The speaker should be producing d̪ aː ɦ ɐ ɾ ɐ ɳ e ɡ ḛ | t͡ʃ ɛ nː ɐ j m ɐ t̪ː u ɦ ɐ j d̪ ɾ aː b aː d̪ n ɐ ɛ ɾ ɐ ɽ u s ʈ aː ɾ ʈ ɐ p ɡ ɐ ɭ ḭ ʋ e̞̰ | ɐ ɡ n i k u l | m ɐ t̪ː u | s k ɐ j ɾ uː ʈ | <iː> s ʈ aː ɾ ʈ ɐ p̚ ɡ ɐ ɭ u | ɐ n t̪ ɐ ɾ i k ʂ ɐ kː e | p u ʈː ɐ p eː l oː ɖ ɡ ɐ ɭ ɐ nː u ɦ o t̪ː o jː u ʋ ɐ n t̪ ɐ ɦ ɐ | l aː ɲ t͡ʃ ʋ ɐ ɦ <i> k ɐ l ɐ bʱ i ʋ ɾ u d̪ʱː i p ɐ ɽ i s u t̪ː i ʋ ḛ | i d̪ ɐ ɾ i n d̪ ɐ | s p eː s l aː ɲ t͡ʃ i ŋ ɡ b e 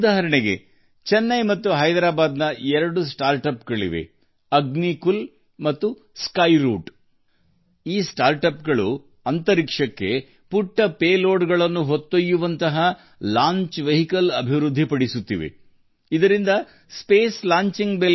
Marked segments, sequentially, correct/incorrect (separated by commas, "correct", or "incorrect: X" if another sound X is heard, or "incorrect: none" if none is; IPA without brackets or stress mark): correct, correct